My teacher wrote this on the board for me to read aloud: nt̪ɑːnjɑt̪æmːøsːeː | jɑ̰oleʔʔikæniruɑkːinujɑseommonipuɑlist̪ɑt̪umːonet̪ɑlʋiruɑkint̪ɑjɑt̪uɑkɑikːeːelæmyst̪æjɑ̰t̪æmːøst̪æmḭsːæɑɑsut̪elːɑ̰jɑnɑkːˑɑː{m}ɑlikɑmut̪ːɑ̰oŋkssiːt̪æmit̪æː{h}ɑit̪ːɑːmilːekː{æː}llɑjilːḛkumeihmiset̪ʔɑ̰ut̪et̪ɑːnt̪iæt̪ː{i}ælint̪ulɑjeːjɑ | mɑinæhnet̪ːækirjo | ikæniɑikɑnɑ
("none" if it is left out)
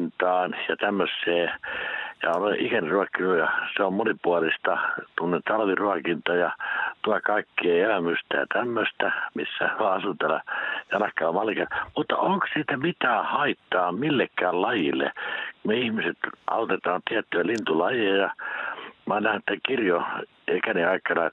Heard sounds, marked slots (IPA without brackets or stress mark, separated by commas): m, h, æː, y